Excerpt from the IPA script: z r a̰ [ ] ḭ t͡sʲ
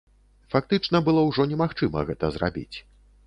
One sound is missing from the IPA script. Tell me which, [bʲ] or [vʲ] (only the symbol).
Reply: bʲ